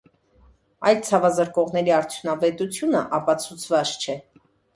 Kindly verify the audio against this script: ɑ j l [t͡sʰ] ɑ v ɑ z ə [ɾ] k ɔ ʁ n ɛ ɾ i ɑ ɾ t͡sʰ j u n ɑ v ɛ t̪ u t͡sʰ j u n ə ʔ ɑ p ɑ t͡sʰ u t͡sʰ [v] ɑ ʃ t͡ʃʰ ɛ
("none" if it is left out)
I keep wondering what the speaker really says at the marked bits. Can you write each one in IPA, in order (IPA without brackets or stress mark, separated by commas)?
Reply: t͡sʰ, ɾ, v